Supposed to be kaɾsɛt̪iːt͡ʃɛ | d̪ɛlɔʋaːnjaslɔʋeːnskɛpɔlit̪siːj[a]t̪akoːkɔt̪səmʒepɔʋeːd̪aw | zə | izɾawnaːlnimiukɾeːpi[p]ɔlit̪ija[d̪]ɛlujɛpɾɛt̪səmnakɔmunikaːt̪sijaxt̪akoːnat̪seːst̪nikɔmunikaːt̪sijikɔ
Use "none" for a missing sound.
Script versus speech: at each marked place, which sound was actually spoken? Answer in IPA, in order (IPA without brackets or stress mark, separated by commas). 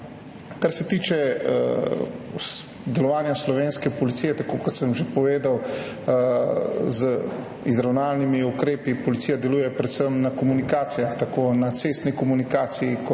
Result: ɛ, p, d̪